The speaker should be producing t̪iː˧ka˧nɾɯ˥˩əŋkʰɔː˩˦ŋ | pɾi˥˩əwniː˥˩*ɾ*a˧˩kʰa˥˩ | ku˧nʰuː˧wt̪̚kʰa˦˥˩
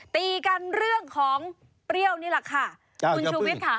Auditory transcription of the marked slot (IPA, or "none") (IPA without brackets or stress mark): l